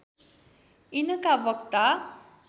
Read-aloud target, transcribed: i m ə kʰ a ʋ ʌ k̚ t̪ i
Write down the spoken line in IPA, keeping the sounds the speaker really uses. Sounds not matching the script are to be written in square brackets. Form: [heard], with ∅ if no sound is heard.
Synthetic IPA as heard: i [n] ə [k] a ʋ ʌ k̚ t̪ [a]